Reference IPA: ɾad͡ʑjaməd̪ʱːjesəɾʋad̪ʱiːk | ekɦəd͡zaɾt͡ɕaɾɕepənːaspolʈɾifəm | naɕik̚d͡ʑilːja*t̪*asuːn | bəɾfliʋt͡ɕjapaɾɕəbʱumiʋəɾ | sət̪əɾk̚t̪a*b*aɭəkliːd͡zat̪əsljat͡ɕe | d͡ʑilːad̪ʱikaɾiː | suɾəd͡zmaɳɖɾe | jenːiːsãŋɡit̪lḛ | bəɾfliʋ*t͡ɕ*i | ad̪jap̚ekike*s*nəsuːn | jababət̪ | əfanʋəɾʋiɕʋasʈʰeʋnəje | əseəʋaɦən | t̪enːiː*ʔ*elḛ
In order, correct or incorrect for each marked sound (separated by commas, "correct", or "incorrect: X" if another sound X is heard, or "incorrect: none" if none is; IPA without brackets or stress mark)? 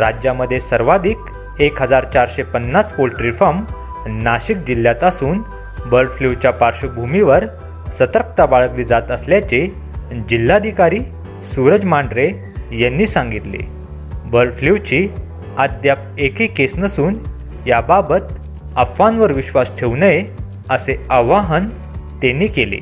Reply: correct, correct, correct, correct, incorrect: k